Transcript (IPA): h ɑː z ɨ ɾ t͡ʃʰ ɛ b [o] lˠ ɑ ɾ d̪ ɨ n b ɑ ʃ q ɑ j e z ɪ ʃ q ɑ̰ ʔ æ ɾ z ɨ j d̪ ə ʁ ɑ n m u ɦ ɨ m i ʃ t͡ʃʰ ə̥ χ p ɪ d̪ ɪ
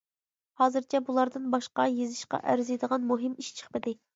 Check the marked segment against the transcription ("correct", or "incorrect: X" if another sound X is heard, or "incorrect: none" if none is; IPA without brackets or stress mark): incorrect: u